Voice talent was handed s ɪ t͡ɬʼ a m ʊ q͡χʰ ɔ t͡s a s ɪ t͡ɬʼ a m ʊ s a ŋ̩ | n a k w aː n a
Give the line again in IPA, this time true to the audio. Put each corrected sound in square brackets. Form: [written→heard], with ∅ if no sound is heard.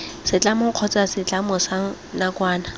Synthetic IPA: s ɪ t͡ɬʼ a m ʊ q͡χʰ ɔ t͡s a s ɪ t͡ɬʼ a m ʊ s a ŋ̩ | n a k w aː n a